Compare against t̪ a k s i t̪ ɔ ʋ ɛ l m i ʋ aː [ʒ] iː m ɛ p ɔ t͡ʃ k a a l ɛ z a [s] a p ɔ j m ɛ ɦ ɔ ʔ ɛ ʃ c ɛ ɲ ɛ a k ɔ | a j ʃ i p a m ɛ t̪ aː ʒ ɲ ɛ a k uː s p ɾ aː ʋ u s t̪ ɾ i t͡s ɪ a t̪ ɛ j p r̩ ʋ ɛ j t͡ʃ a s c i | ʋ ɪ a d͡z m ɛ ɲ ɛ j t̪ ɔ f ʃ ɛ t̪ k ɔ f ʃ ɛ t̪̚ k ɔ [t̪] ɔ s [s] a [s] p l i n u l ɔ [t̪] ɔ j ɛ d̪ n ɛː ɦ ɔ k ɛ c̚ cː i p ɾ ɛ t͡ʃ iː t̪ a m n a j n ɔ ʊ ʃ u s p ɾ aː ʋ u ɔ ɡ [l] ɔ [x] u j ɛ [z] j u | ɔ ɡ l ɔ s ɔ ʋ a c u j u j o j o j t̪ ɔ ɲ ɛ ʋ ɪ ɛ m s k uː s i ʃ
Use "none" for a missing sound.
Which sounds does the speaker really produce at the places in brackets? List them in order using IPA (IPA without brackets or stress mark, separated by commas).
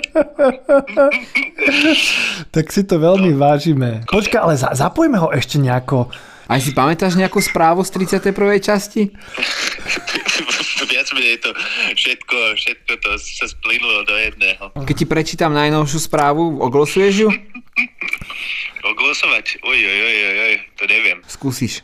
ʒ, z, t̪, s, s, d̪, l, s, ʒ